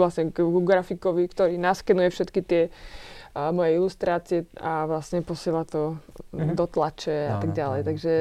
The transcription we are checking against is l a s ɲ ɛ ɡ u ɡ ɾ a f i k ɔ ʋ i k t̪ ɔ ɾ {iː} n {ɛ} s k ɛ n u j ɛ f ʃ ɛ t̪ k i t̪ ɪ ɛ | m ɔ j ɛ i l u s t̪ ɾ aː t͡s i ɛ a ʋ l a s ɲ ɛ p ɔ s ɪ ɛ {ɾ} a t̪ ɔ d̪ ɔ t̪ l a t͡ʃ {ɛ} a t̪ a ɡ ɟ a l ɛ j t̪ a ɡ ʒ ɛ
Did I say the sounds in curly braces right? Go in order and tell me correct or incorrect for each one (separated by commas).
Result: correct, incorrect, incorrect, correct